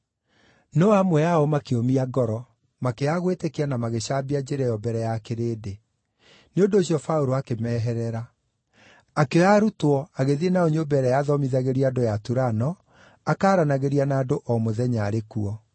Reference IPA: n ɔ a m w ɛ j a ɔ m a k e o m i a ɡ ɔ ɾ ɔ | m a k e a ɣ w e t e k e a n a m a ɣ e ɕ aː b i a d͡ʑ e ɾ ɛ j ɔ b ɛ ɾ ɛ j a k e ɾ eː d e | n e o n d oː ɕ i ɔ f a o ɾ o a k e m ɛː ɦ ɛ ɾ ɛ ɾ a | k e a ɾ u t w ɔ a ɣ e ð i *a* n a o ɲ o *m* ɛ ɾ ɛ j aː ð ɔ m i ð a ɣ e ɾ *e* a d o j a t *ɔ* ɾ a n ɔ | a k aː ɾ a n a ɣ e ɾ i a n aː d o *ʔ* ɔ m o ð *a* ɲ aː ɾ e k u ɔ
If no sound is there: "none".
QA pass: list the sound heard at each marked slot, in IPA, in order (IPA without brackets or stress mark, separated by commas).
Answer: e, b, i, u, ʔ, ɛ